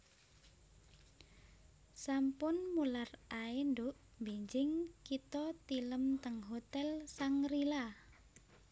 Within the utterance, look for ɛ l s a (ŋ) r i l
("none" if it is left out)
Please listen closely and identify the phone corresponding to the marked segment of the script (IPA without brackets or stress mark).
ŋ